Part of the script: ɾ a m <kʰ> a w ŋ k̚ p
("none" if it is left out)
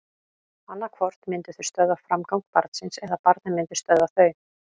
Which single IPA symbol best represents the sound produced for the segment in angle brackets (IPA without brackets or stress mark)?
k